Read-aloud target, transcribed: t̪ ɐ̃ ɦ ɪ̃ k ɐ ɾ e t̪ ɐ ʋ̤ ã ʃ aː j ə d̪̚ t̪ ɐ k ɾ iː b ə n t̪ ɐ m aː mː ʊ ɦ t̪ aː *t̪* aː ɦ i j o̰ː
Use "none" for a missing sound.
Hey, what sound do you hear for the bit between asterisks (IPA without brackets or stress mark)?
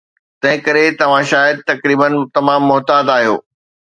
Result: d̪